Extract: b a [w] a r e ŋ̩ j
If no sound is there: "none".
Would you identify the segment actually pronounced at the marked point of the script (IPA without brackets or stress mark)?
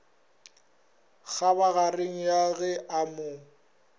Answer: ɣ